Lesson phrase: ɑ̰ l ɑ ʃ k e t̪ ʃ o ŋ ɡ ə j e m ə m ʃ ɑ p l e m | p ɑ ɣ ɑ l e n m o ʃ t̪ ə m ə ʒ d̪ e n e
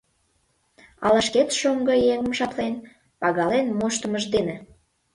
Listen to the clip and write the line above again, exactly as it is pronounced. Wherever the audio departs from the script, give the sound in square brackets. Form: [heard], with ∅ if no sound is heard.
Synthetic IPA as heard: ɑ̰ l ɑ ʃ k e t̪ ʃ o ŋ ɡ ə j e [ŋ] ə m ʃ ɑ p l e [n] | p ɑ ɣ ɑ l e n m o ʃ t̪ ə m ə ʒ d̪ e n e